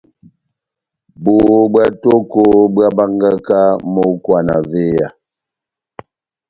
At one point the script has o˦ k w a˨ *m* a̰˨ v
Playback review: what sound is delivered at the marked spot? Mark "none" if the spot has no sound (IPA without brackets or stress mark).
n